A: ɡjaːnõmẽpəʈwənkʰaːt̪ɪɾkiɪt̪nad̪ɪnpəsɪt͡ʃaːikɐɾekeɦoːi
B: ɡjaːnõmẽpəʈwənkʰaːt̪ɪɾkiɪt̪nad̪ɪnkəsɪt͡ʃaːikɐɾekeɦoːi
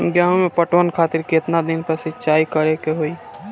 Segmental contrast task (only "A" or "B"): A